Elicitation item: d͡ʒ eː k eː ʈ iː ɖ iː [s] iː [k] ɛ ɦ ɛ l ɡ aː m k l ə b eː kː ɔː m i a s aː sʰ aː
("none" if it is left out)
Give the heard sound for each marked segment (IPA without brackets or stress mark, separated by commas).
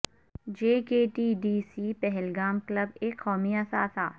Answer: s, p